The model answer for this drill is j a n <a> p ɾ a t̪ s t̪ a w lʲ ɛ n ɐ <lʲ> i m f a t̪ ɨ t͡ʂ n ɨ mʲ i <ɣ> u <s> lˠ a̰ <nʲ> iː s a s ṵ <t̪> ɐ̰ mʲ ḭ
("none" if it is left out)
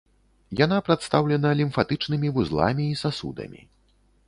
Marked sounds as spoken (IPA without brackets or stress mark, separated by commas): a, lʲ, v, z, mʲ, d̪